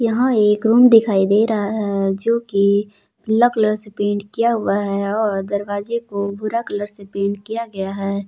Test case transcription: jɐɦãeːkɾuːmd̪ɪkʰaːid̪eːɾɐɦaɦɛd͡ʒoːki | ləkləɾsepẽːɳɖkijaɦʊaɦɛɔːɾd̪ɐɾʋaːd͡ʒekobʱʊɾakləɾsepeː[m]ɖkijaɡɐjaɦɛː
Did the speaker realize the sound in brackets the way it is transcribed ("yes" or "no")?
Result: no